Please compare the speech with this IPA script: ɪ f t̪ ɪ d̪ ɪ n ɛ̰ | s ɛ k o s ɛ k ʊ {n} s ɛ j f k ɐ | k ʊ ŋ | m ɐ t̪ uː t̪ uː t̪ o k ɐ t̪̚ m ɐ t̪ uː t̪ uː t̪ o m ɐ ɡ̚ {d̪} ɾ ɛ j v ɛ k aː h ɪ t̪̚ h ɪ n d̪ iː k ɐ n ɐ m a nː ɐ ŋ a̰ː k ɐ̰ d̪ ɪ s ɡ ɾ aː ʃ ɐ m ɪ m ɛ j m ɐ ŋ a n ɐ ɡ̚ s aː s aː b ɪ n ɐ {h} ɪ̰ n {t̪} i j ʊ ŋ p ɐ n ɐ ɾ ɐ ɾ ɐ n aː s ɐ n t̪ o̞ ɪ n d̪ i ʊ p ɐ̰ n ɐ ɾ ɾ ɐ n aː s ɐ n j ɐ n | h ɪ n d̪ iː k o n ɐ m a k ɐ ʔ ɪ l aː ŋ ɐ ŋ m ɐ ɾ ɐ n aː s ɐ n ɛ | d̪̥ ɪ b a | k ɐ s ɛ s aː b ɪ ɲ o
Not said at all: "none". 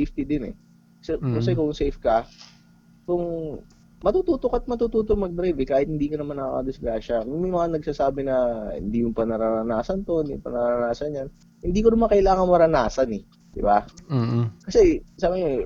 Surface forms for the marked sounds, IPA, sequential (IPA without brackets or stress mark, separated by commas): ŋ, d̪, h, d̪